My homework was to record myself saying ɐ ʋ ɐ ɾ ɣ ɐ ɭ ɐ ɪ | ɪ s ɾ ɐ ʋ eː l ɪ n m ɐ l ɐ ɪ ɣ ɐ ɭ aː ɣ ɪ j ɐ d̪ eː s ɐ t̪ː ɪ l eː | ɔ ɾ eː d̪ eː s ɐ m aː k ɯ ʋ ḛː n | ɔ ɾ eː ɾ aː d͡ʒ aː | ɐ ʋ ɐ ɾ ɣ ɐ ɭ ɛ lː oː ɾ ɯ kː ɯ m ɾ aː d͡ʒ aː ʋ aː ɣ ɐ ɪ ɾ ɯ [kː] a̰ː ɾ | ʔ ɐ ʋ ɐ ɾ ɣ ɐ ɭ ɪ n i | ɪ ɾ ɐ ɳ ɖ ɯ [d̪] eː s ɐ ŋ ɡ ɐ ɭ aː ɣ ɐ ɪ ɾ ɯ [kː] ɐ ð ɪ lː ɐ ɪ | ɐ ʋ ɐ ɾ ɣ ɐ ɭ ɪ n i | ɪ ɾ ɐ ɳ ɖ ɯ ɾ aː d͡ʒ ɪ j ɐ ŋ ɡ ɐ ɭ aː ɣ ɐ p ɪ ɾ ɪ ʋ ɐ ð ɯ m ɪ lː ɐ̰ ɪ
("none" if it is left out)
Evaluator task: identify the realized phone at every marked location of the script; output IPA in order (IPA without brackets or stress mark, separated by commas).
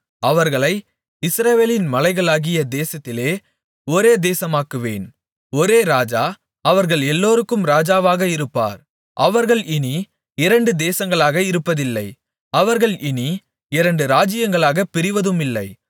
pː, d̪, pː